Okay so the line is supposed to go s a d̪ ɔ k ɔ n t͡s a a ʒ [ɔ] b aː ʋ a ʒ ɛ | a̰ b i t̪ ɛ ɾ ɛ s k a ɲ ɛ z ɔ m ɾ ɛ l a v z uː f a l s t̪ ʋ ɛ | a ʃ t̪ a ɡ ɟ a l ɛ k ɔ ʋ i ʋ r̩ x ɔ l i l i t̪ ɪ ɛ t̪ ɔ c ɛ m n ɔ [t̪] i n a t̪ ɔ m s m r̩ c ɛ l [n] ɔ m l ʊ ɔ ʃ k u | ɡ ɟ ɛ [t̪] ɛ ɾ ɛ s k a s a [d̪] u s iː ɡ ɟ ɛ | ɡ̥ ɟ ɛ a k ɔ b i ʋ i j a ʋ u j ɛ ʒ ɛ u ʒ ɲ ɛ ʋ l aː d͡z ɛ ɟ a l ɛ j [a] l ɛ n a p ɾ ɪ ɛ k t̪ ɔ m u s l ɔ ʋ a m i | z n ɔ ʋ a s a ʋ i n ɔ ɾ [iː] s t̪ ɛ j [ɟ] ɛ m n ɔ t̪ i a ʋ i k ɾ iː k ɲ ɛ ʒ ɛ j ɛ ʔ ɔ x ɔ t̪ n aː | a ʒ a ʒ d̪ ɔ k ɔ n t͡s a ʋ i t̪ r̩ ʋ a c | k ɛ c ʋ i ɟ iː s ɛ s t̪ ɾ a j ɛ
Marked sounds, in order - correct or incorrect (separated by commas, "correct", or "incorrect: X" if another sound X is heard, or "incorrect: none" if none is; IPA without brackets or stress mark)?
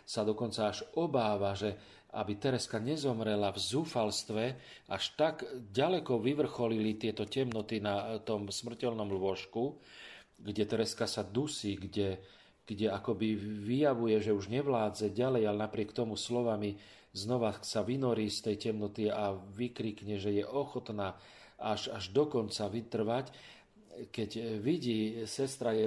correct, correct, correct, correct, correct, correct, correct, incorrect: c